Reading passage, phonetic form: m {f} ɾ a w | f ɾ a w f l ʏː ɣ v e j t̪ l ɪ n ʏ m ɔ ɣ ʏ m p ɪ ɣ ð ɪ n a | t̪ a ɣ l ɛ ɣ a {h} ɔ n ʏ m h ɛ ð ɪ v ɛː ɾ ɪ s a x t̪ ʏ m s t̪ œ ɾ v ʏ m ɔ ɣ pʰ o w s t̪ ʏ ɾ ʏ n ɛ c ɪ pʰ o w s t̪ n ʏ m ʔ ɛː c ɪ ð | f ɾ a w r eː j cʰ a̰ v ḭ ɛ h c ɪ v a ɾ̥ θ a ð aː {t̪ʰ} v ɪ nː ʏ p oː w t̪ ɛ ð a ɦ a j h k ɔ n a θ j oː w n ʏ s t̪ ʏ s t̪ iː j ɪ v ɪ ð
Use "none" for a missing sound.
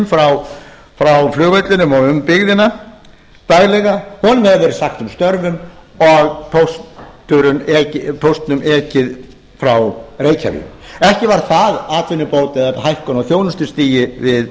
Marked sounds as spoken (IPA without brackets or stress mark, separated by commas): f, h, t̪